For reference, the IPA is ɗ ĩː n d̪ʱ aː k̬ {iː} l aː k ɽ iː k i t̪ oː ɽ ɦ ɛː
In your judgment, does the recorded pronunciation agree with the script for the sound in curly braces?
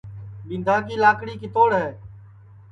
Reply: yes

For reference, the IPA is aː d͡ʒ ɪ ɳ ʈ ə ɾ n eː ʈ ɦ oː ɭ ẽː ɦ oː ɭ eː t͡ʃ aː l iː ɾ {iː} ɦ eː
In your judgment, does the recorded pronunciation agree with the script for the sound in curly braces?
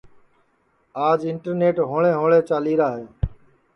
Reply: no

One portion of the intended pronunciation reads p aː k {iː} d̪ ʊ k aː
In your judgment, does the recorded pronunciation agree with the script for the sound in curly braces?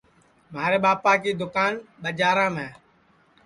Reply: yes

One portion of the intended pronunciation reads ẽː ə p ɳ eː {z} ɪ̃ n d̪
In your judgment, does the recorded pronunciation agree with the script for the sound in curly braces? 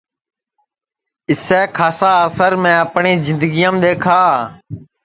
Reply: yes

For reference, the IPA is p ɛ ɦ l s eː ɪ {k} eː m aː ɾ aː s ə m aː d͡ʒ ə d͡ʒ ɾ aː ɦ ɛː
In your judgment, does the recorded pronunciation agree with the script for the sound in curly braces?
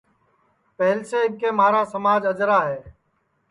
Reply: yes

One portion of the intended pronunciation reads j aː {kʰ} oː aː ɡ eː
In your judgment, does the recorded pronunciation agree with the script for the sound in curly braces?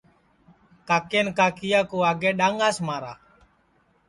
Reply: no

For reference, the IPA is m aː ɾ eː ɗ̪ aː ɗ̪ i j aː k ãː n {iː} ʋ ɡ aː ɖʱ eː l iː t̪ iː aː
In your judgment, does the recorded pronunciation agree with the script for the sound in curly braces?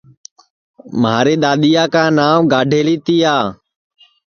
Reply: no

